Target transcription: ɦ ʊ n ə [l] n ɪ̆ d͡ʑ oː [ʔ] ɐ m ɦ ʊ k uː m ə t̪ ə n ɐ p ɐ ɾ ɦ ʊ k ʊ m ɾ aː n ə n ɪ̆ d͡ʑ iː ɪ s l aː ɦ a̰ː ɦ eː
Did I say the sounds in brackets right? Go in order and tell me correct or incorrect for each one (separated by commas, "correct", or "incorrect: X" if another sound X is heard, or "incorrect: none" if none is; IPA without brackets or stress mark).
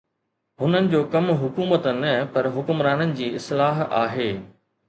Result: incorrect: none, incorrect: k